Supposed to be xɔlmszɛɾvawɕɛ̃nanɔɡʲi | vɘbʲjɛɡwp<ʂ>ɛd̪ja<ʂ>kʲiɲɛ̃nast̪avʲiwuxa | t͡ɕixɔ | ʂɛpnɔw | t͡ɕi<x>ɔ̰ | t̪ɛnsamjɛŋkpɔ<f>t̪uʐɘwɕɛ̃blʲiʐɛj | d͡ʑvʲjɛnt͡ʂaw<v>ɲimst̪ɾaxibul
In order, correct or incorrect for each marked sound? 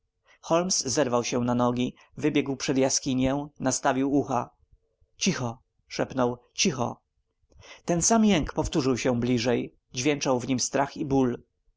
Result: correct, incorrect, correct, correct, correct

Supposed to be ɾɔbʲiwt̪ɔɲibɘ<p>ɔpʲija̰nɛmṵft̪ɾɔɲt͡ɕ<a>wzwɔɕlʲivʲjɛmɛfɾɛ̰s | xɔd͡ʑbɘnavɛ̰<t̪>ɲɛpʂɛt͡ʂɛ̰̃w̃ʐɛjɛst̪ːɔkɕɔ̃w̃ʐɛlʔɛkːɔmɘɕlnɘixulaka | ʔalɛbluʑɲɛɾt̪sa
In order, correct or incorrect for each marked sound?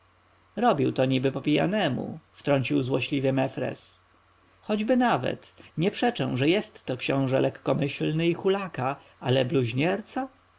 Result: correct, incorrect, correct

